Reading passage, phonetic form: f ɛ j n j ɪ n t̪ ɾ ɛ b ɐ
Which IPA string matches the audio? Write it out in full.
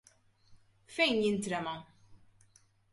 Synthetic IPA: f ɛ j n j ɪ n t̪ ɾ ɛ m ɐ